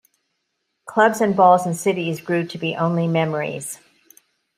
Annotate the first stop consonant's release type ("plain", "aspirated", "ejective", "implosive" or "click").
aspirated